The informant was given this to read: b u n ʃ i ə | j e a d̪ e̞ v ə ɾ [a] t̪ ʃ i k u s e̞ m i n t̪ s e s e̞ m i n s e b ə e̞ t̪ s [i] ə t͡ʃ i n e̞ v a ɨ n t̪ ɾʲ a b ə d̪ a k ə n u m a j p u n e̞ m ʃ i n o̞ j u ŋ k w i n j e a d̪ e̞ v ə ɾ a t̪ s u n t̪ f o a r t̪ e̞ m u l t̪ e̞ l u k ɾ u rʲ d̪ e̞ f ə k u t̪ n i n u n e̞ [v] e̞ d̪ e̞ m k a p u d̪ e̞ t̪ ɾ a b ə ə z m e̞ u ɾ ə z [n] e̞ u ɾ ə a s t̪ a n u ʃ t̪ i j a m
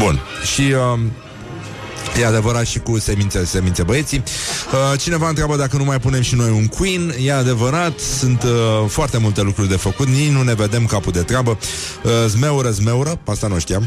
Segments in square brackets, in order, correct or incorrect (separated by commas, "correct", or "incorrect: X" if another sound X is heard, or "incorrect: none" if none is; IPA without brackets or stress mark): correct, correct, correct, incorrect: m